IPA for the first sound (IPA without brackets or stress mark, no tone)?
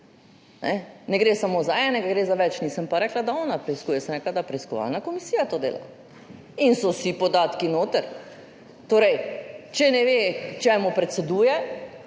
n